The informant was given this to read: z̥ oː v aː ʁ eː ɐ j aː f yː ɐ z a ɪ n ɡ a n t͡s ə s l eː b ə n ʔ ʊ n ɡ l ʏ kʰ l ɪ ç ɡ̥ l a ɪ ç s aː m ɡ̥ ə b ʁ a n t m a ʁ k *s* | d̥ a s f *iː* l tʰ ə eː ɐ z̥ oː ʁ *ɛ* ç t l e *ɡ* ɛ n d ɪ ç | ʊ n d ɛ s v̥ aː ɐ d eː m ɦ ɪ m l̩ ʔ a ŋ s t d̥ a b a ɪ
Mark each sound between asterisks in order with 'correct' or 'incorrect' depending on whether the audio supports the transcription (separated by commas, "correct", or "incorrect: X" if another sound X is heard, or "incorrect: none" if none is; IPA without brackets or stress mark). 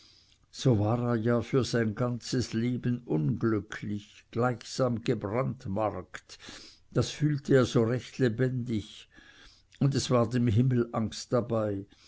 incorrect: t, incorrect: yː, correct, incorrect: b